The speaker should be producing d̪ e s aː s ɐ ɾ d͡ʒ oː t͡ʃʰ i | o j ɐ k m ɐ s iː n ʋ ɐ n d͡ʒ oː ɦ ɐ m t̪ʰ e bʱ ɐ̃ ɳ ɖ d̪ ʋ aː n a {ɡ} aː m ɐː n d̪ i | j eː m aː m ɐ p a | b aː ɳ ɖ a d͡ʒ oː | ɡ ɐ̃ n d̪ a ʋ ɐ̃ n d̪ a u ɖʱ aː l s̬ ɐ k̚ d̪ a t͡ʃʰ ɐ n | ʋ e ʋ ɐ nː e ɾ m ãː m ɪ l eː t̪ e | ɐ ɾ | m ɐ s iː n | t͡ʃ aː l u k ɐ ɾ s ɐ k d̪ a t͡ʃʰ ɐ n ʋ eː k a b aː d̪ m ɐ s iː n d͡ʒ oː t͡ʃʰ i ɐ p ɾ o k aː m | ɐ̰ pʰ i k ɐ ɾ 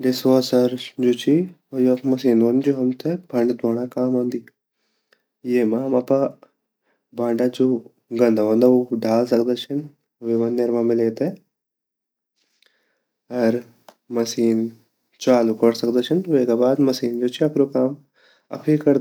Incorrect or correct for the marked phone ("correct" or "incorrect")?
incorrect